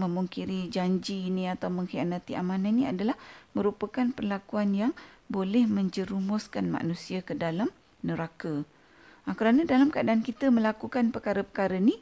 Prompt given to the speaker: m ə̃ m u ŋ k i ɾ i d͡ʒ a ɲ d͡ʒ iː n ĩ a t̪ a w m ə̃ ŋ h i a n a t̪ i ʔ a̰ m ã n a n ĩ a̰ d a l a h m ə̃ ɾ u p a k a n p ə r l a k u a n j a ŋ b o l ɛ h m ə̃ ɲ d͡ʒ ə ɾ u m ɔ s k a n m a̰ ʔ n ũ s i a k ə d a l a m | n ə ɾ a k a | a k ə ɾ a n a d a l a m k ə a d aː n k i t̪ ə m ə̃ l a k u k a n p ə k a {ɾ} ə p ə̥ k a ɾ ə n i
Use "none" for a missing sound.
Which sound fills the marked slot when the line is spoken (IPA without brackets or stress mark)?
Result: ɾ